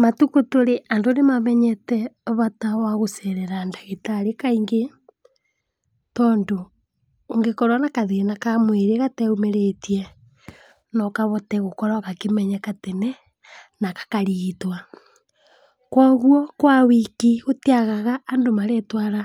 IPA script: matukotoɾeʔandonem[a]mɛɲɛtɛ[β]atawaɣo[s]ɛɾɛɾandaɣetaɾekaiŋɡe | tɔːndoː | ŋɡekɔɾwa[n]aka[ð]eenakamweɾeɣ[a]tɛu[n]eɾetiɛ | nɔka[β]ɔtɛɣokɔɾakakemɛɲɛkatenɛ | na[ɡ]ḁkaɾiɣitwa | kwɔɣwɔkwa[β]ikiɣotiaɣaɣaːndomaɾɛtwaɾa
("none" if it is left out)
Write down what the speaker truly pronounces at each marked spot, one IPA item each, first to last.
a, β, s, n, ð, a, m, β, k, w

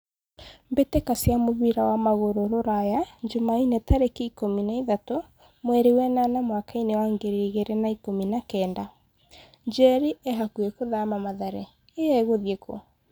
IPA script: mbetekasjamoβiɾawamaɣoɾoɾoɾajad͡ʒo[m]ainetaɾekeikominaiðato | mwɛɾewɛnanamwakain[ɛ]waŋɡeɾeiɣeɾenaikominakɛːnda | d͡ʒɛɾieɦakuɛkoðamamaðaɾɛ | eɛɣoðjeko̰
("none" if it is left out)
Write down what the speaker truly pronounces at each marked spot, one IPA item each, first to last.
m, e

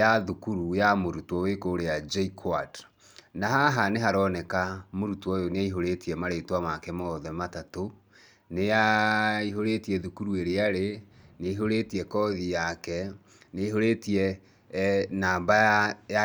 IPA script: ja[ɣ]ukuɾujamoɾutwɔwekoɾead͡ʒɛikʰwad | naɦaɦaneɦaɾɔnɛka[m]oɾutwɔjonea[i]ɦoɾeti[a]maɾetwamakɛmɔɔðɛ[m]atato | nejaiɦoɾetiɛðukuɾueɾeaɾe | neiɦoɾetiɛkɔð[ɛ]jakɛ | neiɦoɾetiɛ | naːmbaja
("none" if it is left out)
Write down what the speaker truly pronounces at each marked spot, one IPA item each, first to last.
ð, m, i, ɛ, m, i

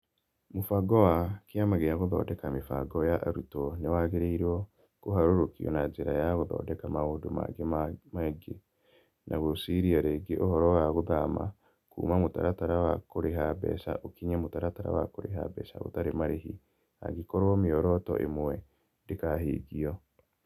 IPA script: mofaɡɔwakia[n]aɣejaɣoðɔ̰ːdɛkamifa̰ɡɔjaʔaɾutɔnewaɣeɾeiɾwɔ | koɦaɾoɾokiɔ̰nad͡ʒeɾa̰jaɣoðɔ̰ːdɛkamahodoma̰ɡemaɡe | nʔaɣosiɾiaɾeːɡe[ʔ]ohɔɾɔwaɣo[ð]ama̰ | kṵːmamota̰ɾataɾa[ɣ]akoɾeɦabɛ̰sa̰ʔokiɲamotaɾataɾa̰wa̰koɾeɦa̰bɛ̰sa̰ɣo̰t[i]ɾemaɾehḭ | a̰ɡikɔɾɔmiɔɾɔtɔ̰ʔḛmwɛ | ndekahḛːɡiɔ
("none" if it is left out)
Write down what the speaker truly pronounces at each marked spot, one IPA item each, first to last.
m, ʔ, ð, w, a

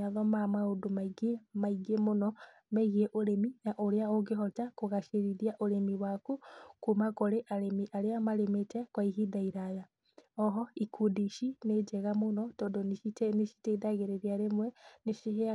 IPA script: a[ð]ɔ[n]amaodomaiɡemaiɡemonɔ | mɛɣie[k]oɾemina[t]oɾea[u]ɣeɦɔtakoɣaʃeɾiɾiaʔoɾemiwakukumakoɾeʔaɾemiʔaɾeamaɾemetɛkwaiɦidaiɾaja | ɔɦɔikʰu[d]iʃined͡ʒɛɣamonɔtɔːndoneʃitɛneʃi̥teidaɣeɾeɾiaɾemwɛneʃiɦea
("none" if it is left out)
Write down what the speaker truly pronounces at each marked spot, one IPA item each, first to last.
ð, m, ʔ, ʔ, o, d

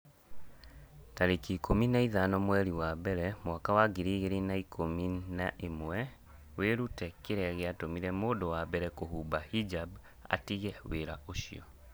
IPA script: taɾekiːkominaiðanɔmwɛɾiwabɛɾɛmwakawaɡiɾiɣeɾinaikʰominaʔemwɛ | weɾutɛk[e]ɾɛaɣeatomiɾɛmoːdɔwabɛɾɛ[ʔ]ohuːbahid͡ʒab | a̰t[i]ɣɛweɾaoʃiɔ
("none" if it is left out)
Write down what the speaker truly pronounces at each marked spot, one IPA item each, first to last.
e, k, i

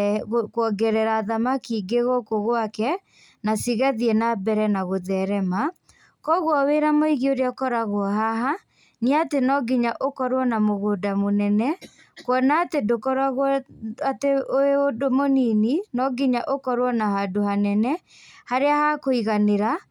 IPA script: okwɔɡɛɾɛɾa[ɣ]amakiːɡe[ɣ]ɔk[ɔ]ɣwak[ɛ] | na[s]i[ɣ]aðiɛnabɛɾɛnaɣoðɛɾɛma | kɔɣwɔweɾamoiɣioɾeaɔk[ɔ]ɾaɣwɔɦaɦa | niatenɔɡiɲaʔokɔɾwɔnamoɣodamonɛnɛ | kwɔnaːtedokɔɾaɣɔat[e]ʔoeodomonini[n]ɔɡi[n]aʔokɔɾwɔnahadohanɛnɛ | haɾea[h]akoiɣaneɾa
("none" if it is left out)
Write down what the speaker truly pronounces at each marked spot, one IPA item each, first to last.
ð, ɣ, o, ɛ, s, ɣ, ɔ, e, n, ɲ, h

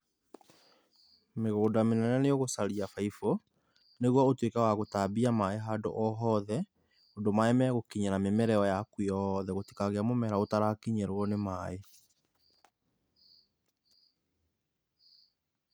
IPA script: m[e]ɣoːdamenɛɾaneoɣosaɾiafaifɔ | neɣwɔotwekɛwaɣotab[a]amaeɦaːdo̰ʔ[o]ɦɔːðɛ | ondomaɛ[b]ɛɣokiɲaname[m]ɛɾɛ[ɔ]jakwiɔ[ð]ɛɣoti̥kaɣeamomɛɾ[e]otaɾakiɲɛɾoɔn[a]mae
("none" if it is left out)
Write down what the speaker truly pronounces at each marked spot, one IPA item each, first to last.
e, i, ɔ, m, m, ɔ, ð, a, e

